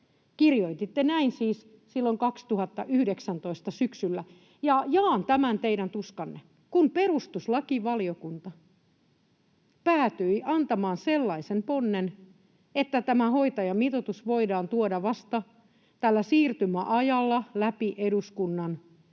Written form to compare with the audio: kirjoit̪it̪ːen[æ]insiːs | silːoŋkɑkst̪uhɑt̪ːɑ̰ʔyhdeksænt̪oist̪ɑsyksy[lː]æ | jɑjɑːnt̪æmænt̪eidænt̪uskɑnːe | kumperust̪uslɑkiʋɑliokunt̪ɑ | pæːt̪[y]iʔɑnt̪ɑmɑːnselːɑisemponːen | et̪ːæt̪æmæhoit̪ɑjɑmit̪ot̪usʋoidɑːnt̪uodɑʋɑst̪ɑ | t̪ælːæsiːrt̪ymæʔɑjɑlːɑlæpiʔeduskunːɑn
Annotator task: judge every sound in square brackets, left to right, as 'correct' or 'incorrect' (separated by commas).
correct, correct, correct